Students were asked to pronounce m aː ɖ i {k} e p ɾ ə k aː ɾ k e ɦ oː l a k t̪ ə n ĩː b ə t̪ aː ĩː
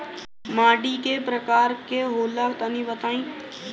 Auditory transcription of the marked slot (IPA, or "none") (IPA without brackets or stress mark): k